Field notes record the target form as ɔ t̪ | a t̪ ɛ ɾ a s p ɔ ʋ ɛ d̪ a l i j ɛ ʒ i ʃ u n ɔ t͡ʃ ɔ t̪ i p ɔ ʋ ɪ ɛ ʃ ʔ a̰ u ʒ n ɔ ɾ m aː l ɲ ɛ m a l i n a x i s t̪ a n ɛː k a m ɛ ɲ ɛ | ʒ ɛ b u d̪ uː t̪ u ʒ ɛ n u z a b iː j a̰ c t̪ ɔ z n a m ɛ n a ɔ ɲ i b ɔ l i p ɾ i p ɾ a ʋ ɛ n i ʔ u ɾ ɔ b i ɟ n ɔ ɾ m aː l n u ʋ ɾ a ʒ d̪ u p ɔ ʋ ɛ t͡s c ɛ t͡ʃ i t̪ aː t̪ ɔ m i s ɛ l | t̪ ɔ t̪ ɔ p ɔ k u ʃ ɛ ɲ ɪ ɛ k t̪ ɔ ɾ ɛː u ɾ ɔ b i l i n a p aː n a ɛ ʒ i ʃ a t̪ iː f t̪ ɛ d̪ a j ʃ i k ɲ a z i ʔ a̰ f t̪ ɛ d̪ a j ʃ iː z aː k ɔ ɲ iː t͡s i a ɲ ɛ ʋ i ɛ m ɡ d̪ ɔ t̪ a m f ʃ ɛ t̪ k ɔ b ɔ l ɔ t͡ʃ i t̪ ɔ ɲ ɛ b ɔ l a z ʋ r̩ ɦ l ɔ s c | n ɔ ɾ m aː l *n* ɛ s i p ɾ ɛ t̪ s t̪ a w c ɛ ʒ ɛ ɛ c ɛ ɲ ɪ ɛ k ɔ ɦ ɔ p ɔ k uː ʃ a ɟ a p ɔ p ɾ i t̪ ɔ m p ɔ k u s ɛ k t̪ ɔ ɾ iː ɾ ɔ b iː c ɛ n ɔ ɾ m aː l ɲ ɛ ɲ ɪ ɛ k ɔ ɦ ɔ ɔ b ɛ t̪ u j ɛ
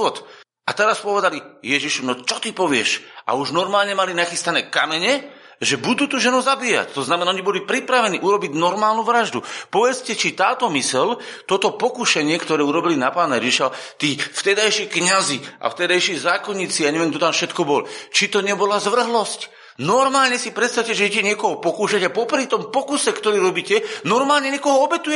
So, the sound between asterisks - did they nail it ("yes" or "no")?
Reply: no